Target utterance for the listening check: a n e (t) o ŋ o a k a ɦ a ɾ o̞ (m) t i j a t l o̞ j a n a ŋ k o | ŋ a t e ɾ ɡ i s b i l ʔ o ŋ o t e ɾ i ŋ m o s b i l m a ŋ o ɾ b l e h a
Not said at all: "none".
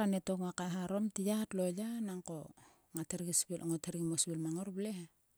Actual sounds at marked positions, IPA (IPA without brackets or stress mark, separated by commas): t, m